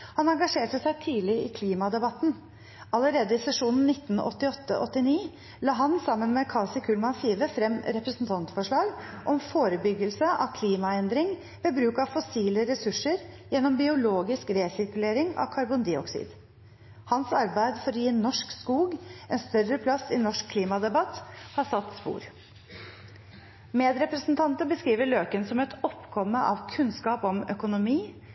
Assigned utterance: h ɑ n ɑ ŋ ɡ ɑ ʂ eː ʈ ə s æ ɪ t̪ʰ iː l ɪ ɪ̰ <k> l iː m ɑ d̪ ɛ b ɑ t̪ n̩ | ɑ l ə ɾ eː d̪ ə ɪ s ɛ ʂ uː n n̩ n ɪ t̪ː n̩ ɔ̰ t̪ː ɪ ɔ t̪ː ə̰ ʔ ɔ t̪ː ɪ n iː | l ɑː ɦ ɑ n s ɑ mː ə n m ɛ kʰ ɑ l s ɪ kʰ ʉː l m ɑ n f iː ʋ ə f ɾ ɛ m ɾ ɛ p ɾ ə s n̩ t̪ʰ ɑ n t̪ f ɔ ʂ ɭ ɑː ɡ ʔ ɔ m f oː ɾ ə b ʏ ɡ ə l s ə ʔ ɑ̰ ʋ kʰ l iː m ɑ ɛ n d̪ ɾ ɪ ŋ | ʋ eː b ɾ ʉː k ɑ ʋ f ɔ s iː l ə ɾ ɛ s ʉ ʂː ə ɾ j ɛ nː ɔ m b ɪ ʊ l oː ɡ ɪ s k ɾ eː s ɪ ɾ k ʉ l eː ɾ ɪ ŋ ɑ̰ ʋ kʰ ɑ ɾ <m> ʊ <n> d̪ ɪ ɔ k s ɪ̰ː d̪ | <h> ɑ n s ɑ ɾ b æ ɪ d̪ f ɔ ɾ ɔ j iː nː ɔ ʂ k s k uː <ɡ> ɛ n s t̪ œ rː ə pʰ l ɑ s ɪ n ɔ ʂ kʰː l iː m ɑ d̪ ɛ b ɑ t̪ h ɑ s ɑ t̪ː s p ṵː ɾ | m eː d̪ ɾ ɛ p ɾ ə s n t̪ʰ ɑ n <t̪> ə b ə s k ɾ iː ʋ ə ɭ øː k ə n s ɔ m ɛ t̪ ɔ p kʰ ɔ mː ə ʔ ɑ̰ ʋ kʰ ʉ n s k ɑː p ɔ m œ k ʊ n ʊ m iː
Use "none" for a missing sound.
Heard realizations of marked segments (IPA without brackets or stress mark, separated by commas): kʰ, b, n, h, ɡ, t̪